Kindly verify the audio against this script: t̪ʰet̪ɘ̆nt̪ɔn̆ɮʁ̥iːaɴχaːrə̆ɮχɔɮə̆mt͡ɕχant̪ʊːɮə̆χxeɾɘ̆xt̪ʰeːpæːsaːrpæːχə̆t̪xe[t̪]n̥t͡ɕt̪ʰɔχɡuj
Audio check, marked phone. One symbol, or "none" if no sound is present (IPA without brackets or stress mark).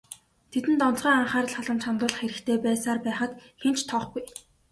none